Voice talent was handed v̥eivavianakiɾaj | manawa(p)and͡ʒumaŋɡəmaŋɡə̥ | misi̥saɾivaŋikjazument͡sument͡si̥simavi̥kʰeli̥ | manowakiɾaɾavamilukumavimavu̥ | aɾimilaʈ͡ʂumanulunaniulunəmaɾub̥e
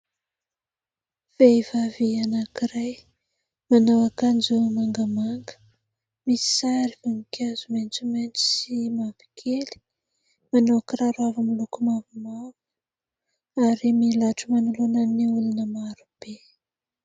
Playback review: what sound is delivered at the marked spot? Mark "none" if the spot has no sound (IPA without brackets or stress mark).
k